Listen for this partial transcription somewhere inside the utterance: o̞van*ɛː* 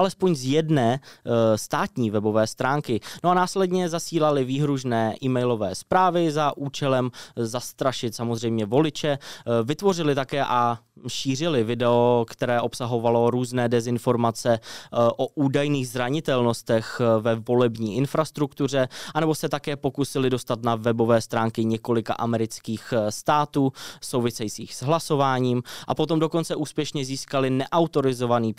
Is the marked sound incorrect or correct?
incorrect